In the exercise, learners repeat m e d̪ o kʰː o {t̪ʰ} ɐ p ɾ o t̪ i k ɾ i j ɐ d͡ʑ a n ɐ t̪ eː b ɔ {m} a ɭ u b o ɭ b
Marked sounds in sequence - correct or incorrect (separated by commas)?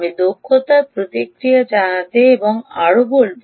incorrect, incorrect